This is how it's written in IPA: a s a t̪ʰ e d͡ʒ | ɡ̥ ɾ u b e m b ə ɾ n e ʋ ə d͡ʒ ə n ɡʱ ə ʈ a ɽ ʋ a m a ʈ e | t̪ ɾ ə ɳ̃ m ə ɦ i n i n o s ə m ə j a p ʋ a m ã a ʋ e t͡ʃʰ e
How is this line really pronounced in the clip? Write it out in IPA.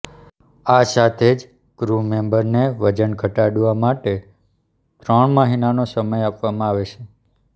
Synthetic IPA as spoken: a s a t̪ʰ e d͡ʒ | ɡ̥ ɾ u m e m b ə ɾ n e ʋ ə d͡ʒ ə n ɡʱ ə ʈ a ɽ ʋ a m a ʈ e | t̪ ɾ ə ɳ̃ m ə ɦ i n a n o s ə m ə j a p ʋ a m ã a ʋ e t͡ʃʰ e